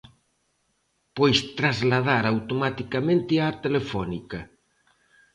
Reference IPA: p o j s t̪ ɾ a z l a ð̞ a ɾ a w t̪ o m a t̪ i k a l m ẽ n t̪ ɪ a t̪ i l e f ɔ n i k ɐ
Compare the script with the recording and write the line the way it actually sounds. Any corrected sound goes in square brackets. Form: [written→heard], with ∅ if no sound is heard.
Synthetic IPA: p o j s t̪ ɾ a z l a ð̞ a ɾ a w t̪ o m a t̪ i k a [l→∅] m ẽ n t̪ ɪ a t̪ [i→e] l e f ɔ n i k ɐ

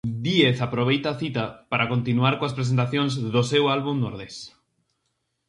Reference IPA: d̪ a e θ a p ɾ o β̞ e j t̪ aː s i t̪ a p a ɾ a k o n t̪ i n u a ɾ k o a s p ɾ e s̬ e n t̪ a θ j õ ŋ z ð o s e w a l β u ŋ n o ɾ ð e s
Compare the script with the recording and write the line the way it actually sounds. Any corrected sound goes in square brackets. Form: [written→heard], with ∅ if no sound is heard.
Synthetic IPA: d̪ [a→i] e θ a p ɾ o β̞ e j t̪ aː [s→θ] i t̪ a p a ɾ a k o n t̪ i n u a ɾ k o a s p ɾ e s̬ e n t̪ a θ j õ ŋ z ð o s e w a l β u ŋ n o ɾ ð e s

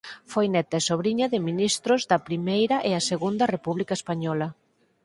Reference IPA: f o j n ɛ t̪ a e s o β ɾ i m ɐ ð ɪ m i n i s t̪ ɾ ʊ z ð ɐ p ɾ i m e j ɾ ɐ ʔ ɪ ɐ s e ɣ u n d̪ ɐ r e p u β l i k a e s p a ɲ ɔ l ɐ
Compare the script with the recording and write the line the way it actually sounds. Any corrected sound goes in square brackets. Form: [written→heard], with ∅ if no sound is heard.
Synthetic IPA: f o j n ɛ t̪ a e s o β ɾ i [m→ɲ] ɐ ð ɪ m i n i s t̪ ɾ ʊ z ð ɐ p ɾ i m e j ɾ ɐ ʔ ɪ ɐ s e ɣ u n d̪ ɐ r e p u β l i k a e s p a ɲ ɔ l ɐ

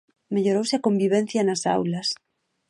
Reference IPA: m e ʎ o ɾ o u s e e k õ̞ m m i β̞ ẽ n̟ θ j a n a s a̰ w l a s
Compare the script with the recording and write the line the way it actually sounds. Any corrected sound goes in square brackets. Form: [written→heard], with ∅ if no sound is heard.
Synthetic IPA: m e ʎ o ɾ o [u→w] s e [e→a] k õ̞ m [m→b] i β̞ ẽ n̟ θ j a n a s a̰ w l a s

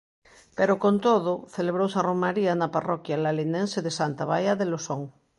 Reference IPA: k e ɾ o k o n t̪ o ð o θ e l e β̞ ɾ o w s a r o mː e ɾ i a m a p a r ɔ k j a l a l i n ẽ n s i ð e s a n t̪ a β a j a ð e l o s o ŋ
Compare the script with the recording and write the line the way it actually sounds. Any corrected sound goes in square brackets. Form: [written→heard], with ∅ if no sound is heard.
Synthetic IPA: [k→p] e ɾ o k o n t̪ o ð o θ e l e β̞ ɾ o w s a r o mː [e→a] ɾ i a [m→n] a p a r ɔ k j a l a l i n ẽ n s [i→e] ð e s a n t̪ a β a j a ð e l o s o ŋ

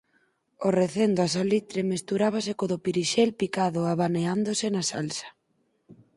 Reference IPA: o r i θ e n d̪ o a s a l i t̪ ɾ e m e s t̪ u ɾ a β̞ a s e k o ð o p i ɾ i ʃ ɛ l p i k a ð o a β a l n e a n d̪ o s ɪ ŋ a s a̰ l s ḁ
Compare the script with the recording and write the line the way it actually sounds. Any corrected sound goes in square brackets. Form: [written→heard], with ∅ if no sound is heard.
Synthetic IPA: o r [i→e] θ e n d̪ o a s a l i t̪ ɾ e m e s t̪ u ɾ a β̞ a s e k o ð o p i ɾ i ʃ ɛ l p i k a ð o a β a [l→∅] n e a n d̪ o s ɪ [ŋ→n] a s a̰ l s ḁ

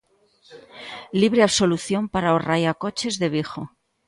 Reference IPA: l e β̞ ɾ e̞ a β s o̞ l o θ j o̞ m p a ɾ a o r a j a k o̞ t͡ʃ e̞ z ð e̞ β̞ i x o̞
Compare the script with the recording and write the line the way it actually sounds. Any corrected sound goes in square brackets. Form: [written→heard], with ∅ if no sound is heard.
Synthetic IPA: l [e→i] β̞ ɾ e̞ a β s o̞ l [o→u] θ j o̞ m p a ɾ a o r a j a k o̞ t͡ʃ e̞ z ð e̞ β̞ i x o̞

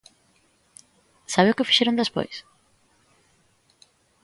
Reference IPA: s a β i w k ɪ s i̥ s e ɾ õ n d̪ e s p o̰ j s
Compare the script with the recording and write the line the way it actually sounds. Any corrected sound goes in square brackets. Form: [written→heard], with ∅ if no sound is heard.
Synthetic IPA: s a β [i→e] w k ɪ [s→f] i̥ [s→ʃ] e ɾ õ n d̪ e s p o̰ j s

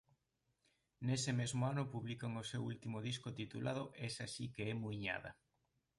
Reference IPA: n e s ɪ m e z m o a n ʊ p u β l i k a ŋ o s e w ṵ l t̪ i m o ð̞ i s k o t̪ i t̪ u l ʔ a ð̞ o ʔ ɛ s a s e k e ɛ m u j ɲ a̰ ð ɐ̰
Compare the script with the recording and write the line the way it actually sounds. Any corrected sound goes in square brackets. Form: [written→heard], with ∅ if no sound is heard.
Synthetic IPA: n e s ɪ m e z m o a n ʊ p u β l i k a ŋ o s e w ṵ l t̪ i m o ð̞ i s k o t̪ i t̪ u l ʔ a ð̞ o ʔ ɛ s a s [e→i] k e ɛ m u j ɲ a̰ ð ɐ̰

